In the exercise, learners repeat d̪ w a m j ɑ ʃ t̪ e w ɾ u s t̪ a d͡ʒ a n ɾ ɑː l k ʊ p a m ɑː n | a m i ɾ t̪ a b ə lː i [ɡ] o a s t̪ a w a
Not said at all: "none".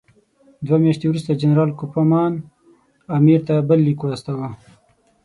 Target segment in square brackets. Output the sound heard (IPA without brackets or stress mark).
k